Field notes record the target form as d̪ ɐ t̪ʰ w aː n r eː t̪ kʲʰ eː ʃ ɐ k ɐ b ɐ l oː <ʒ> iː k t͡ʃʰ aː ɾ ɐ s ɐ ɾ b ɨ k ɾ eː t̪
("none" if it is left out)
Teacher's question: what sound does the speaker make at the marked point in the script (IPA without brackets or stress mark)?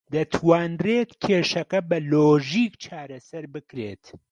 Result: ʒ